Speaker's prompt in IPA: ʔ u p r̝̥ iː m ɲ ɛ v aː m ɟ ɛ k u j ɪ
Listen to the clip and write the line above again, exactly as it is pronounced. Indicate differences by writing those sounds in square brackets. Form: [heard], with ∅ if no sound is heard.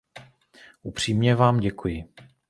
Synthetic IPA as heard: ʔ u p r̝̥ iː m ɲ ɛ v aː m ɟ ɛ k u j ɪ